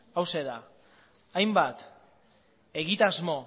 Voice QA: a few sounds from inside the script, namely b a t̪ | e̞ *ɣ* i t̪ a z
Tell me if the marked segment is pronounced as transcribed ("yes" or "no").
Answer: yes